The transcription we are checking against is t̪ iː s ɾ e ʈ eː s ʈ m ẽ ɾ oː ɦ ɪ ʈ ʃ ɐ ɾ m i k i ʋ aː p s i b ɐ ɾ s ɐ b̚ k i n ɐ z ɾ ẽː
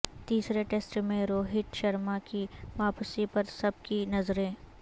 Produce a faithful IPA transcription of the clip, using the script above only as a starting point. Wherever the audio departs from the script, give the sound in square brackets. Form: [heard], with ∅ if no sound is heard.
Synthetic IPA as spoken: t̪ iː s ɾ e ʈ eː s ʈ m ẽ ɾ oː ɦ ɪ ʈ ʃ ɐ ɾ m [a] k i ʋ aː p s i [p] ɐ ɾ s ɐ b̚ k i n ɐ z ɾ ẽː

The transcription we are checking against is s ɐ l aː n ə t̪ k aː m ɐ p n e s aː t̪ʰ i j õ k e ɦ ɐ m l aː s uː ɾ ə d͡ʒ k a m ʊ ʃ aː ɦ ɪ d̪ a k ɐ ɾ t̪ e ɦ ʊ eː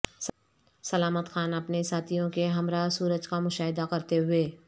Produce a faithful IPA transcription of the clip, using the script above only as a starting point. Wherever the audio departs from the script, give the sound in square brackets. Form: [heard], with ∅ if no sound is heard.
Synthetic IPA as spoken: s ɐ l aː [m] ə t̪ [x] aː [n] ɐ p n e s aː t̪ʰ i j õ k e ɦ ɐ m [ɾ] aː s uː ɾ ə d͡ʒ k a m ʊ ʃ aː ɦ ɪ d̪ a k ɐ ɾ t̪ e ɦ ʊ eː

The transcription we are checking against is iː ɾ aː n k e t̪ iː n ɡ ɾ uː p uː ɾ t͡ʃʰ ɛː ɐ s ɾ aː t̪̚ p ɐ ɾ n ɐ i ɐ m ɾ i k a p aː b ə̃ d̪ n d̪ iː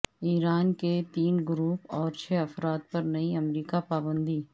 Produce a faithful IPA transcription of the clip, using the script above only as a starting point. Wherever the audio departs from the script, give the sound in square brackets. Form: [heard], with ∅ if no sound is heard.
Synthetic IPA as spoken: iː ɾ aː n k e t̪ iː n ɡ ɾ uː p [ɔː] ɾ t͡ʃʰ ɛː ɐ [f] ɾ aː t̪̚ p ɐ ɾ n ɐ i ɐ m ɾ [iː] k a p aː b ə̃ [∅] n d̪ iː

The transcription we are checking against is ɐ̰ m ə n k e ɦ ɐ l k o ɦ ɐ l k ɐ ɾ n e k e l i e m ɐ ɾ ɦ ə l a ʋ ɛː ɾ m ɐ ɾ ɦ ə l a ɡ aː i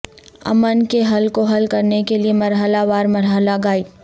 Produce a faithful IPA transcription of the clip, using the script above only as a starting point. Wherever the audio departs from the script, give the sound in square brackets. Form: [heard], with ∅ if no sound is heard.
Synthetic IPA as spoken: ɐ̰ m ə n k e ɦ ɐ l k o ɦ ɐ l k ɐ ɾ n e k e l i e m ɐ ɾ ɦ ə l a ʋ [aː] ɾ m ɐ ɾ ɦ ə l a ɡ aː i

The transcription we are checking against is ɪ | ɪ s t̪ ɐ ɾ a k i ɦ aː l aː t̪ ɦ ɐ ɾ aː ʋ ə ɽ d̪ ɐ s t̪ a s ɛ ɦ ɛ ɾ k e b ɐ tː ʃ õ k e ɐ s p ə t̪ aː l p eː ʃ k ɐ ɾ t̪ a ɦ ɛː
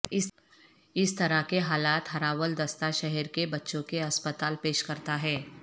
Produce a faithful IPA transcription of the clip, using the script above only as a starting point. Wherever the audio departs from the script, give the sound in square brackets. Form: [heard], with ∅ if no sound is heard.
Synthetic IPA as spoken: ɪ | ɪ s t̪ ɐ ɾ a k [e] ɦ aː l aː t̪ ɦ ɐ ɾ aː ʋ ə [l] d̪ ɐ s t̪ a [ʃ] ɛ ɦ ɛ ɾ k e b ɐ tː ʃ õ k e ɐ s p ə t̪ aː l p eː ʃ k ɐ ɾ t̪ a ɦ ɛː

